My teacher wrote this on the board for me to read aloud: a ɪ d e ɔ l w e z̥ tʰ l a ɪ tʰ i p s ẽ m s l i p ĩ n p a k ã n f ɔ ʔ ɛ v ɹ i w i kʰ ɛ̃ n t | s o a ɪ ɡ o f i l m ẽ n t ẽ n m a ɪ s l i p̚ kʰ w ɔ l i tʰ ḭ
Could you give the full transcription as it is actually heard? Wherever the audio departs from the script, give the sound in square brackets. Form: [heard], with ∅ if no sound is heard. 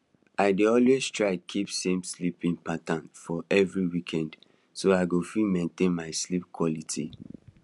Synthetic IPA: a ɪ d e ɔ l w e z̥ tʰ [ɹ] a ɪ [kʰ] i p s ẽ m s l i p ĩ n p a [t] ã n f ɔ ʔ ɛ v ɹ i w i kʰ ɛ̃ n [d] | s o a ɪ ɡ o f i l m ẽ n t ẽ n m a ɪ s l i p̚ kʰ w ɔ l i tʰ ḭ